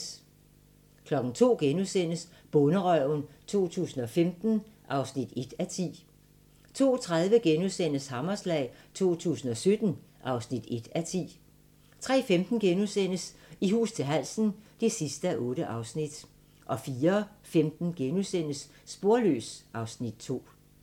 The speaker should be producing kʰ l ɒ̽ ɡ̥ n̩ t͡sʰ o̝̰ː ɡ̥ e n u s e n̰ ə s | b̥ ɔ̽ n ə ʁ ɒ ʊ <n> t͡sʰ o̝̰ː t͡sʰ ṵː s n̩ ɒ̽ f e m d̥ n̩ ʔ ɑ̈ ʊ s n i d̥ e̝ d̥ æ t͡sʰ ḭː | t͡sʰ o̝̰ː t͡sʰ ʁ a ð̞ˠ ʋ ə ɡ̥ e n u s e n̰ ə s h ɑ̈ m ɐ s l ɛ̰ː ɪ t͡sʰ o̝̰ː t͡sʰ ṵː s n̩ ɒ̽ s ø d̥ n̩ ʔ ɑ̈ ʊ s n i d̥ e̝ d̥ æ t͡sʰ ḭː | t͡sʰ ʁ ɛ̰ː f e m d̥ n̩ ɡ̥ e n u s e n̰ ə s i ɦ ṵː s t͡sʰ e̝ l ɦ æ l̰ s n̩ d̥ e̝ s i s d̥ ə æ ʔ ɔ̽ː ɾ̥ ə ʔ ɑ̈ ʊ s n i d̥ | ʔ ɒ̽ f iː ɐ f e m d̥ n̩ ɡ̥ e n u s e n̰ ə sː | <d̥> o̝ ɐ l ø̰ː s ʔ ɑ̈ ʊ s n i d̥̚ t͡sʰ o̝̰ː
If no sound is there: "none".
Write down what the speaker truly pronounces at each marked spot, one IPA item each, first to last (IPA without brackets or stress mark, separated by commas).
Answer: n, b̥